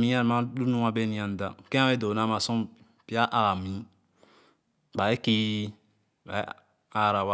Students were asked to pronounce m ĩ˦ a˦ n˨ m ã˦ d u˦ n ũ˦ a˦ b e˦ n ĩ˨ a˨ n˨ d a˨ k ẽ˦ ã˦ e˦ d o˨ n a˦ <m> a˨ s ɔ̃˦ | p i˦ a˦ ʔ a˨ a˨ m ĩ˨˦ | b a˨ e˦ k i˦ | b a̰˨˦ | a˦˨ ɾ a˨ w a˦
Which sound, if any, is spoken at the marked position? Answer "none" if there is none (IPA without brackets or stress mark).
m